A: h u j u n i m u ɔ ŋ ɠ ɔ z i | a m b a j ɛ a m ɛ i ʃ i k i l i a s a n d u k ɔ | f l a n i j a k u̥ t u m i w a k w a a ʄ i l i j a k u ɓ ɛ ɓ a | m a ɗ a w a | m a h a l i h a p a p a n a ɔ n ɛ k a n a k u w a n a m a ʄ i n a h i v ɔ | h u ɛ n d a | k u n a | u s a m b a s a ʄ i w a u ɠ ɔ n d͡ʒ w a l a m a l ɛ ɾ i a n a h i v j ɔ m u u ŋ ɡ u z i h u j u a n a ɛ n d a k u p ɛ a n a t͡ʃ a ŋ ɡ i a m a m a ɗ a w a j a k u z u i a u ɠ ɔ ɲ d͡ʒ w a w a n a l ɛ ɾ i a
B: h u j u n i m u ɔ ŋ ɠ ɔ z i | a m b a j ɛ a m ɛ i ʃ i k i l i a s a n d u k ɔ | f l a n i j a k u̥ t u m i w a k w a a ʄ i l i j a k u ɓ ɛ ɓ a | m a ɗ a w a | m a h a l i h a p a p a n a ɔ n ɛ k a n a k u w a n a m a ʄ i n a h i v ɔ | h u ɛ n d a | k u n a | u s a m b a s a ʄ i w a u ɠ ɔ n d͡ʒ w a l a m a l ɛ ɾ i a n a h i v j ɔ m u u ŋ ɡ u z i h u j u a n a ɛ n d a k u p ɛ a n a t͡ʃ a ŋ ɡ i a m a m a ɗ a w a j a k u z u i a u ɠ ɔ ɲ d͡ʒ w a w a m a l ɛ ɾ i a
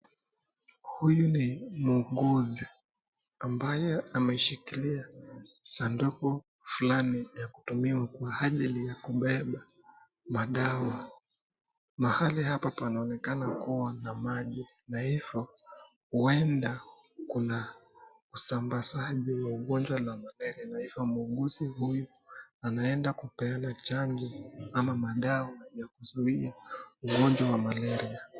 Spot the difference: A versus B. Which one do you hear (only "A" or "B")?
B